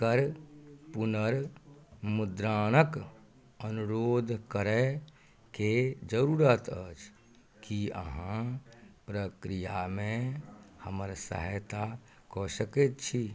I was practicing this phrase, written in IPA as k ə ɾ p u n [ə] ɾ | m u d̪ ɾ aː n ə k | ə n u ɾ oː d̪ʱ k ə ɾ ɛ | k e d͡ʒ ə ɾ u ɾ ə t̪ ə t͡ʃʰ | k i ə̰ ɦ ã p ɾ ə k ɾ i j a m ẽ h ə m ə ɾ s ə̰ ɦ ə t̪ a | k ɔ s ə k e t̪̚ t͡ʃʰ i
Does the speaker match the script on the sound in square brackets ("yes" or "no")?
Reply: yes